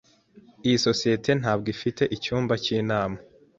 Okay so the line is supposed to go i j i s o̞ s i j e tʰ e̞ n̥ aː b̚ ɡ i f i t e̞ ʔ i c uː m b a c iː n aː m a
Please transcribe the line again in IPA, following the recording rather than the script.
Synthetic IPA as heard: i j i s o̞ s i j e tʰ e̞ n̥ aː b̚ ɡ i f i t e̞ ʔ i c uː m b a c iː n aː m a